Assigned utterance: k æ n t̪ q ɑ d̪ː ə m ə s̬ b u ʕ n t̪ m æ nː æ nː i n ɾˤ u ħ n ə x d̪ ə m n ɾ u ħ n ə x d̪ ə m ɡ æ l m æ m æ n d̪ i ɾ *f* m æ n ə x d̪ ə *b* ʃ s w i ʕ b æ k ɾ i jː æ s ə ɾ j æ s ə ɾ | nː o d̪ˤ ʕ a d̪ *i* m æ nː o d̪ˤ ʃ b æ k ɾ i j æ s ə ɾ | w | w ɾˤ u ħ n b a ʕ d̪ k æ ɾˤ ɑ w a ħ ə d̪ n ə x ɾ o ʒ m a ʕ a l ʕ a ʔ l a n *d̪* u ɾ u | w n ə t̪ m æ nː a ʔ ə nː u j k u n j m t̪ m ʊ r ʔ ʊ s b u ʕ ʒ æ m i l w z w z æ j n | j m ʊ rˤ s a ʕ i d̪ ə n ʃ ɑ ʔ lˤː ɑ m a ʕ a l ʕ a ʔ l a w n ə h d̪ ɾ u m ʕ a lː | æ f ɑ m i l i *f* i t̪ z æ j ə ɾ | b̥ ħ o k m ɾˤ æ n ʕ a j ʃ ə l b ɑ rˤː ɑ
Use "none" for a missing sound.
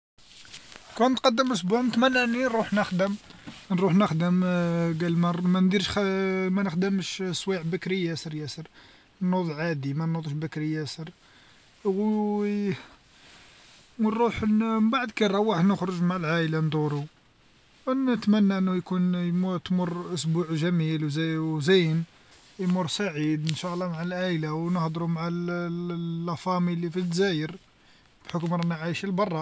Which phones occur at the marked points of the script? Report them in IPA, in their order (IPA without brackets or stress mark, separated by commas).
ʃ, m, i, d̪, f